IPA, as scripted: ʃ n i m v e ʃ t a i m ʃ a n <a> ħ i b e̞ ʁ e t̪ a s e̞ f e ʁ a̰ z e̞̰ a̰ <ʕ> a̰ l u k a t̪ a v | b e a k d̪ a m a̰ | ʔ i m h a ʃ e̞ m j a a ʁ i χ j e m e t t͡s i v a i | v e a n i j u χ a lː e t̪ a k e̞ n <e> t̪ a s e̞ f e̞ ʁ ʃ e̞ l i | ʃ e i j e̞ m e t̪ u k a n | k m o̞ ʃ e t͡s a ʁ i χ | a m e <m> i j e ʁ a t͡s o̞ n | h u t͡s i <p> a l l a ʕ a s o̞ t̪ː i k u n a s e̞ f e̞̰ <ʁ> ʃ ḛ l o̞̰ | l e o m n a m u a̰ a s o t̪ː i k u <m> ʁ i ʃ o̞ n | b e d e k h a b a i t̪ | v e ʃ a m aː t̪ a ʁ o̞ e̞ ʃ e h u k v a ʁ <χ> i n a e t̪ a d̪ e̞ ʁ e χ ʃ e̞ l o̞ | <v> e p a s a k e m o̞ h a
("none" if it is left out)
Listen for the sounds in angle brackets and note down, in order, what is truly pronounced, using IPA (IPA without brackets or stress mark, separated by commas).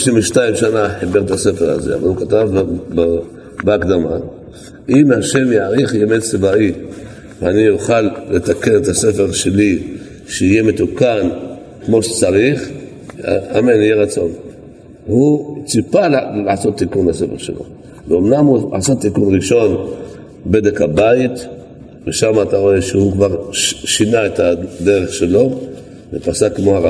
a, v, e, n, p, ʁ, n, ʃ, v